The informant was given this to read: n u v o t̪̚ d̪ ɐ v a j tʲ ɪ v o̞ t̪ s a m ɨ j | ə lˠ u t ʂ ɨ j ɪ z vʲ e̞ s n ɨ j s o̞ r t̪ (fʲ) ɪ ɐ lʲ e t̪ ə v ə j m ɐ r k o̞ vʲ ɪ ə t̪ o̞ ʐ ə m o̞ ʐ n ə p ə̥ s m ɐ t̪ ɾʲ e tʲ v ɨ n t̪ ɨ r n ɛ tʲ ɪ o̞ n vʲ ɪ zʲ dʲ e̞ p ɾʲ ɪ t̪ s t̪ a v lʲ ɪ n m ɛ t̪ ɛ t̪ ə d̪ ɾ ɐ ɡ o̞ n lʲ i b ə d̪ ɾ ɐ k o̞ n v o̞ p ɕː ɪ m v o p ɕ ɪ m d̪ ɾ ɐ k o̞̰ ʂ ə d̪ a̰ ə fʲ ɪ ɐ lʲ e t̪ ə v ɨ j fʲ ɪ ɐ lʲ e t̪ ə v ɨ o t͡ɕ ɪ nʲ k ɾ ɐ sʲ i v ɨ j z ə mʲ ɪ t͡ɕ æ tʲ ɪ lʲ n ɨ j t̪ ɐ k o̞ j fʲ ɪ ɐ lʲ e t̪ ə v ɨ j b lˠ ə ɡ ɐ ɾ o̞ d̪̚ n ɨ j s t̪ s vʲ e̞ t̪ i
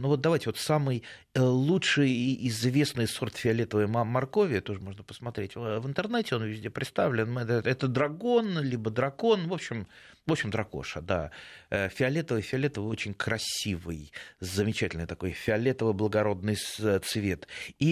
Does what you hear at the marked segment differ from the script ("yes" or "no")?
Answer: no